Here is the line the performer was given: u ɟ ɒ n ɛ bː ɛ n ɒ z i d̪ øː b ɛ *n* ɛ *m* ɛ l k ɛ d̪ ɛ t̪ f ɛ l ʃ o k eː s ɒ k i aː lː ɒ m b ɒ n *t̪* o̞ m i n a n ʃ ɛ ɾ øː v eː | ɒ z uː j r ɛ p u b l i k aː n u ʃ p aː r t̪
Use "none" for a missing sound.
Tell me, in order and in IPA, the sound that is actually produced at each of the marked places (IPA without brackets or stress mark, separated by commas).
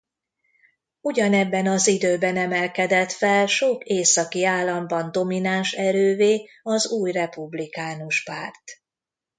n, m, d̪